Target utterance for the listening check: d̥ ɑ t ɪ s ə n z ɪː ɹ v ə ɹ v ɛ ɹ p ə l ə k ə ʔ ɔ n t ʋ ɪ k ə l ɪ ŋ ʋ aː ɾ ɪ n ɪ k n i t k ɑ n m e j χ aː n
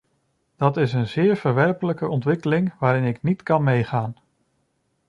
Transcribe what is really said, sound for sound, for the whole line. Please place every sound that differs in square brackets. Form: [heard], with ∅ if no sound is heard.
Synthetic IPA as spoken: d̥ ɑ t ɪ s ə n z ɪː ɹ v ə ɹ [ʋ] ɛ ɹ p ə l ə k ə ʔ ɔ n t ʋ ɪ k ə l ɪ ŋ ʋ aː ɾ ɪ n ɪ k n i t k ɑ n m e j χ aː n